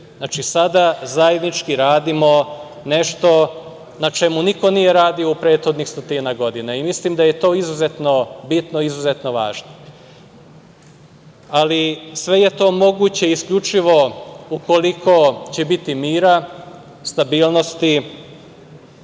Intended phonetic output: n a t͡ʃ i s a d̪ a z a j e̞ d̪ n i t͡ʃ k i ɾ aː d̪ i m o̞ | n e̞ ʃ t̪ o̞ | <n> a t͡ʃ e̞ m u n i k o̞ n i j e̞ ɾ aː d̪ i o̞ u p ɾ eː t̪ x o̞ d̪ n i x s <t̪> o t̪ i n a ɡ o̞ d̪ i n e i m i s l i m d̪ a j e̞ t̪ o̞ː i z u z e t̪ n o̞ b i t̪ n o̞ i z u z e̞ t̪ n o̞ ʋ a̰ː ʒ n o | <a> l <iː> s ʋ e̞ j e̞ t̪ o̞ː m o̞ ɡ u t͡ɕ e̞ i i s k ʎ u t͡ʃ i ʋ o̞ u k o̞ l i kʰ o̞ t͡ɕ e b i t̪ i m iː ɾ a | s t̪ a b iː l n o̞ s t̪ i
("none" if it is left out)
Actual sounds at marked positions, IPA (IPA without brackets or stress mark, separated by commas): n, t̪, a, i